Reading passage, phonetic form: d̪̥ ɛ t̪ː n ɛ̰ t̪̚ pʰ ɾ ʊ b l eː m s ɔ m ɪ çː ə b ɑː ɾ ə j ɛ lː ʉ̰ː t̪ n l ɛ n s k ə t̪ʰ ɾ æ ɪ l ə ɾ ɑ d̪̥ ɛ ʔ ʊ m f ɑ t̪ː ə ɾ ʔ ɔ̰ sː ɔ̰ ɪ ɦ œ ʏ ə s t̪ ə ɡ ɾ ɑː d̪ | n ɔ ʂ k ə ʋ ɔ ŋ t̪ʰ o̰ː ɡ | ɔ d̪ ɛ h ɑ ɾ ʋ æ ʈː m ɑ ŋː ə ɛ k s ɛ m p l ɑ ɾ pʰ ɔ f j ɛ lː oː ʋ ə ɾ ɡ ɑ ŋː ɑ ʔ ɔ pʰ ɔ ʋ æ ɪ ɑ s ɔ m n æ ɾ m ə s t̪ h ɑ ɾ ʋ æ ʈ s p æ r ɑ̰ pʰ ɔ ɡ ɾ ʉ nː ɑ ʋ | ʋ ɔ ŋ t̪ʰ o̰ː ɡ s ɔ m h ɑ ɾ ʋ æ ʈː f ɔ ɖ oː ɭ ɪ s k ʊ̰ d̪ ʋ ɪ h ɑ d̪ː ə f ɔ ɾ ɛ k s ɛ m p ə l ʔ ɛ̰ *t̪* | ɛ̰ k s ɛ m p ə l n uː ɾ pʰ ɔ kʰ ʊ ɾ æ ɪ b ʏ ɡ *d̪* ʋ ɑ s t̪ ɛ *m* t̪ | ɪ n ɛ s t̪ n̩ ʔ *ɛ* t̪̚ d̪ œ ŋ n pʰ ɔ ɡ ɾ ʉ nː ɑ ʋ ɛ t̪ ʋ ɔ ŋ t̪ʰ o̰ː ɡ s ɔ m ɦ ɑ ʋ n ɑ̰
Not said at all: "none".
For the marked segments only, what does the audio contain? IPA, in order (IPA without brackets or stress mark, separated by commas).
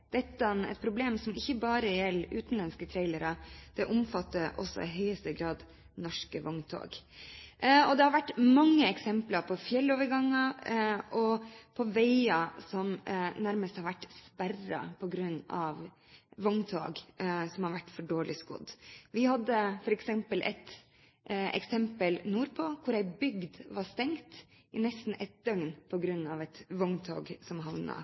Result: t̪, d̪, ŋ, ɛ